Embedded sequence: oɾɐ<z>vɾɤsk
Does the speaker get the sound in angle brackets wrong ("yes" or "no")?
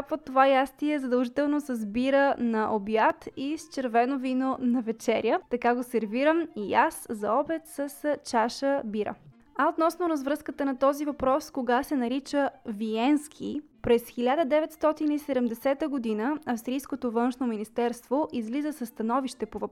no